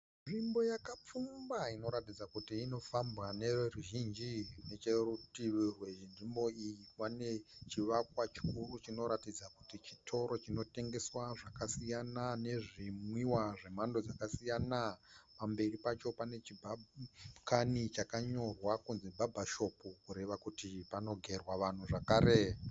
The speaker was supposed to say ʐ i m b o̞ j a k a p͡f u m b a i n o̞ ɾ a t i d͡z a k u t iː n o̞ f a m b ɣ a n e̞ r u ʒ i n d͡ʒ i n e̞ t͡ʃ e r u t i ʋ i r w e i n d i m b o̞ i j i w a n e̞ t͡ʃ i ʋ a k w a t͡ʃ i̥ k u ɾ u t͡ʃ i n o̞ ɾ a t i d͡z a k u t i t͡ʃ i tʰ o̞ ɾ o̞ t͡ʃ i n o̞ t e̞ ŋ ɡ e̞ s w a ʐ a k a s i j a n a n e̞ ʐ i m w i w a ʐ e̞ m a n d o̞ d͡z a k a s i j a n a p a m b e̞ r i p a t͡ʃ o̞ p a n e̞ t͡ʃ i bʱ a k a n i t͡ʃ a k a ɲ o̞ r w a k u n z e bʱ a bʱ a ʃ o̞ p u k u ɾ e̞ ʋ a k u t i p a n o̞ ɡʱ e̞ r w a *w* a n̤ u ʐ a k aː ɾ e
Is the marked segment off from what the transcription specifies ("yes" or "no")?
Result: yes